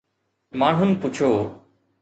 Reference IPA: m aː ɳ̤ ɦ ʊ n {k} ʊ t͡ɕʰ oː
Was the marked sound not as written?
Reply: yes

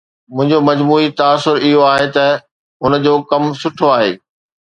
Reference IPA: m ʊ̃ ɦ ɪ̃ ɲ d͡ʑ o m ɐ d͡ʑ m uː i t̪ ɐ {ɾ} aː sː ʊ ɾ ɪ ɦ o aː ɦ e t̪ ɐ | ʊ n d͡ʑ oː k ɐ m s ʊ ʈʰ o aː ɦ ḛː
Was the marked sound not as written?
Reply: yes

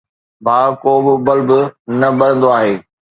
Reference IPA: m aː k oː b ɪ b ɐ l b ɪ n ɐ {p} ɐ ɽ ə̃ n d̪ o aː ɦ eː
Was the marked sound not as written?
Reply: yes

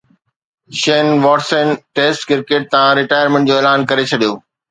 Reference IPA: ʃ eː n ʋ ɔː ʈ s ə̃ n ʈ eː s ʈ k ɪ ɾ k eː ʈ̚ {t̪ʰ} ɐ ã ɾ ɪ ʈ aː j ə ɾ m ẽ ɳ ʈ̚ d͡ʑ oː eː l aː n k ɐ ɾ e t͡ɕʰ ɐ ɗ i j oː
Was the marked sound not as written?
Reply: yes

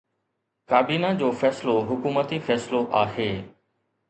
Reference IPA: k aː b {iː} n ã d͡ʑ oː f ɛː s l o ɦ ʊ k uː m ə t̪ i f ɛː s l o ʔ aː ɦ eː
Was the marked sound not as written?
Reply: no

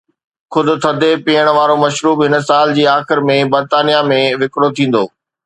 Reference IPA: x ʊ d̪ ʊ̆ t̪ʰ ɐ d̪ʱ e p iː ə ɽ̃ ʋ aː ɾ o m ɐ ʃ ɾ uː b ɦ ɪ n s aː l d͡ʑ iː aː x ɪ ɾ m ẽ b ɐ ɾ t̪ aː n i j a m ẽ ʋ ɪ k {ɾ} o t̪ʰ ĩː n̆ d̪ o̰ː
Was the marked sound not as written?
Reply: yes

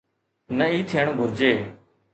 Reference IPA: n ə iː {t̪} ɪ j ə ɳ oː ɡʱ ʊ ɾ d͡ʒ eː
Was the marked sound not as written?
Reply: yes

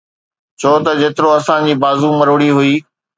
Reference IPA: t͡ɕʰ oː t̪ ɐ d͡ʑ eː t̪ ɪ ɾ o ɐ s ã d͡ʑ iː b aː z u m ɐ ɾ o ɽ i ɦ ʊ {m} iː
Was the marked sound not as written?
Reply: yes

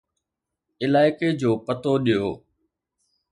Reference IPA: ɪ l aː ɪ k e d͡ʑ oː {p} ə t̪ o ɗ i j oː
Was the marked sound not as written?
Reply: no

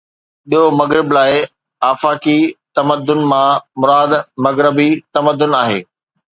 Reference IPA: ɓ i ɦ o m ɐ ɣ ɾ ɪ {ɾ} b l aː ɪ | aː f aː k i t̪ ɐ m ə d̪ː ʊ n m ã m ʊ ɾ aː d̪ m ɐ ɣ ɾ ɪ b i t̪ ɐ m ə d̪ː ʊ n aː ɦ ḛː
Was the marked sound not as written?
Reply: yes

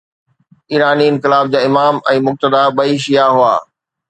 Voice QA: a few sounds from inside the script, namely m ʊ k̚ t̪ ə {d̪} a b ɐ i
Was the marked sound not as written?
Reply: no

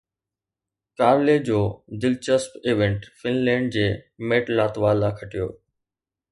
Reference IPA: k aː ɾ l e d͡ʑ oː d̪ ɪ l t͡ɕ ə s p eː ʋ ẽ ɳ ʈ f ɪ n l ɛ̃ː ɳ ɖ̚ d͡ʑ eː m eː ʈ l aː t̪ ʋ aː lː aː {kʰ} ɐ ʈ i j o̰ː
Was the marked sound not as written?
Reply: no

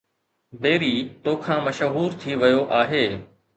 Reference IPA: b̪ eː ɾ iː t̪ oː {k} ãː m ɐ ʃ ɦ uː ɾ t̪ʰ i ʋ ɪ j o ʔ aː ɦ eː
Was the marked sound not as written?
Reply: yes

